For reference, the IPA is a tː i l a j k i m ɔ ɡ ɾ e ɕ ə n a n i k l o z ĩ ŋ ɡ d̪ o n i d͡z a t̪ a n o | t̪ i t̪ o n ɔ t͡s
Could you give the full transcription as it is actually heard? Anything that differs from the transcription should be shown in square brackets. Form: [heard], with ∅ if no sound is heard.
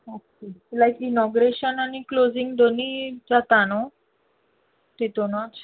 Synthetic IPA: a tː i l a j k i [n] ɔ ɡ ɾ e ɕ ə n a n i k l o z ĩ ŋ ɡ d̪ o n i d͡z a t̪ a n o | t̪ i t̪ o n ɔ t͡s